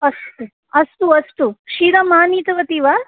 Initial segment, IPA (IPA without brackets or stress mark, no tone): ɐ